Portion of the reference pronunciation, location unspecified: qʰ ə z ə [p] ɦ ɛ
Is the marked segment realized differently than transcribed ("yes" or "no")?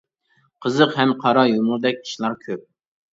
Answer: yes